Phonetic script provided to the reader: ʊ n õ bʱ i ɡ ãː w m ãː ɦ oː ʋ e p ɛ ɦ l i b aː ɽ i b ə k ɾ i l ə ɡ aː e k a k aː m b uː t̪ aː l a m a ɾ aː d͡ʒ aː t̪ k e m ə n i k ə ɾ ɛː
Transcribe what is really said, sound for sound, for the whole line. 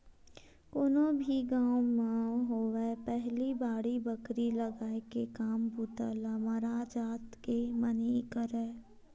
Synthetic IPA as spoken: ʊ n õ bʱ i ɡ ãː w m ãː ɦ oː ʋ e p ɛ ɦ l i b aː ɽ i b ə k ɾ i l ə ɡ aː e k e k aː m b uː t̪ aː l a m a ɾ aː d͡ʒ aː t̪ k e m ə n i k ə ɾ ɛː